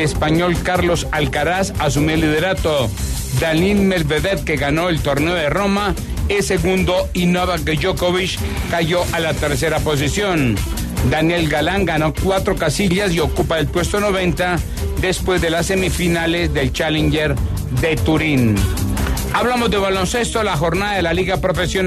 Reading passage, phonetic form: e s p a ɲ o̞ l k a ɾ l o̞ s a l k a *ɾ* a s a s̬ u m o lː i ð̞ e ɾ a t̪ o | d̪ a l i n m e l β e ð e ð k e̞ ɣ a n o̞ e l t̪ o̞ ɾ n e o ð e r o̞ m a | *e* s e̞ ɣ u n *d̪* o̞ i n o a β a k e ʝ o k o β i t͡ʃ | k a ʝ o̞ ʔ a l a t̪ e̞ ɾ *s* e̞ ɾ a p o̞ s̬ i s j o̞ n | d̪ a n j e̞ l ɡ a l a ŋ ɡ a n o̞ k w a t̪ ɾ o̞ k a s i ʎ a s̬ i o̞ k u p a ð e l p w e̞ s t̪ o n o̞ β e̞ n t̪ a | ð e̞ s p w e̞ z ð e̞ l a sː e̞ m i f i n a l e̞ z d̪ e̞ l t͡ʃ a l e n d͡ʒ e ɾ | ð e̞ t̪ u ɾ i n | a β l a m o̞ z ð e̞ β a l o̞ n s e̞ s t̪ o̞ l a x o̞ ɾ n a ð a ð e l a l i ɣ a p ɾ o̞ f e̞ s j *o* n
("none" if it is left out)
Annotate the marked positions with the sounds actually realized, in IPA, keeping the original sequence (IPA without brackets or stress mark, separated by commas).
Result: ɾ, e, d̪, s, o